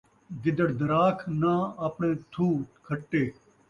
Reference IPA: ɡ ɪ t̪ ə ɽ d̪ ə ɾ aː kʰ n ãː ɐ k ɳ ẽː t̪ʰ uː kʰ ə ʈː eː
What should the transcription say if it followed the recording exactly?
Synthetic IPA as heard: ɡ ɪ d̪ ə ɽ d̪ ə ɾ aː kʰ n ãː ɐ p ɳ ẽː t̪ʰ uː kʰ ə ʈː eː